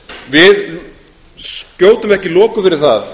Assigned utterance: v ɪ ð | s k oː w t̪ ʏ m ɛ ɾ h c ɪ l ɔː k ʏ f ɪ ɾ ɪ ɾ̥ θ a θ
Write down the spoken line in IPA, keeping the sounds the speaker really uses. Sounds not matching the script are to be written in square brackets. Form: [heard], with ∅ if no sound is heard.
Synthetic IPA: v ɪ ð | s [c] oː w t̪ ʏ m ɛ [∅] h c ɪ l ɔː k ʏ f ɪ ɾ ɪ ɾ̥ θ a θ

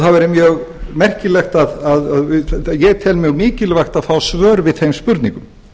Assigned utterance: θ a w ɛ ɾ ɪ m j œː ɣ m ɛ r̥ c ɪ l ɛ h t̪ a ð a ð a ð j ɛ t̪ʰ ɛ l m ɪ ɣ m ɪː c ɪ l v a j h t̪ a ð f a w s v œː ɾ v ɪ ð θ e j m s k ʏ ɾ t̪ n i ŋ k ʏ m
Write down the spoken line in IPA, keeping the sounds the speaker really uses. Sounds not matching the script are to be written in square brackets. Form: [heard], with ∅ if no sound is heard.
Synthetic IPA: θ a [v] ɛ ɾ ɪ m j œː ɣ m ɛ r̥ c ɪ l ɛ [x] t̪ a ð a ð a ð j ɛ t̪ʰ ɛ l m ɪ ɣ m ɪː c ɪ l v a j [x] t̪ a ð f a w s v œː ɾ v ɪ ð θ e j m s [p] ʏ ɾ t̪ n i ŋ k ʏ m

